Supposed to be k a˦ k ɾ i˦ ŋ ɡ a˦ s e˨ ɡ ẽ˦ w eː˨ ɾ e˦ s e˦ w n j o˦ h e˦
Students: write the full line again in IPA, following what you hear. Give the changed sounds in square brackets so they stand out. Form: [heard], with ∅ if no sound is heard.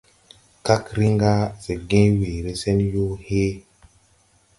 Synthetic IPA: k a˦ k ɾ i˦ ŋ ɡ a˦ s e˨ ɡ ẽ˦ w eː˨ ɾ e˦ s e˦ [∅] n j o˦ h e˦